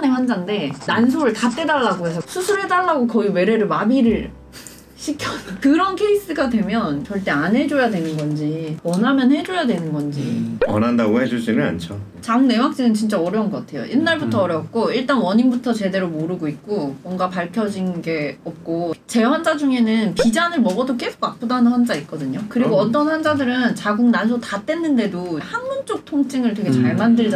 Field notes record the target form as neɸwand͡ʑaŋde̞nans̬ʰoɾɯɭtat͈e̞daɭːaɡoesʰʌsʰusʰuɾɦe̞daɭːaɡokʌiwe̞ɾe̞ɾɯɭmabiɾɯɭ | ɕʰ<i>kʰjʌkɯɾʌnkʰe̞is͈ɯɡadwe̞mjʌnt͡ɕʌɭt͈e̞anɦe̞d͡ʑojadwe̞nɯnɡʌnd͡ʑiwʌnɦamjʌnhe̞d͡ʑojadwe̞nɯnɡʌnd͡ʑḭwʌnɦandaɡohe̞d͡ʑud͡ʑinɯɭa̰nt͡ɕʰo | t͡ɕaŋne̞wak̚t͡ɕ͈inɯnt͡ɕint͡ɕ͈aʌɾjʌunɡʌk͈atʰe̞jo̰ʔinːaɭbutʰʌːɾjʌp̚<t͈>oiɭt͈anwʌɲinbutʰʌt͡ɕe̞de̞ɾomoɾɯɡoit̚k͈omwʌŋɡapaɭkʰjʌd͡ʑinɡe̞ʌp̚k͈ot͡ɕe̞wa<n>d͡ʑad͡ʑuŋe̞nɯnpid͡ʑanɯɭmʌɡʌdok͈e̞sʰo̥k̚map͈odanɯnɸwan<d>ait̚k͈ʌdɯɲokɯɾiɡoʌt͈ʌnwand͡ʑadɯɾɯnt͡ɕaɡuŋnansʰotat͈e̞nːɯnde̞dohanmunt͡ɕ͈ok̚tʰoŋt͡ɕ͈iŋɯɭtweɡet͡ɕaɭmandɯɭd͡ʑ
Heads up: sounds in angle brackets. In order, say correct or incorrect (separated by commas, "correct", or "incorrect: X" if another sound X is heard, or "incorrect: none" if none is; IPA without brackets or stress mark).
correct, incorrect: k͈, correct, incorrect: d͡ʑ